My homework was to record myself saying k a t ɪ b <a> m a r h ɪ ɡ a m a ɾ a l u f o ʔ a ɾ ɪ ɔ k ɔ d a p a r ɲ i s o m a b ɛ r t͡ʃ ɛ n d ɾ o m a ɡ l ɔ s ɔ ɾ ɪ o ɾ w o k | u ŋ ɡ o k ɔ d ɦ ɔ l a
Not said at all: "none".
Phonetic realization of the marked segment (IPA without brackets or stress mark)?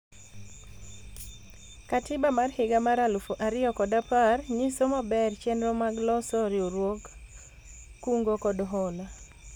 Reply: a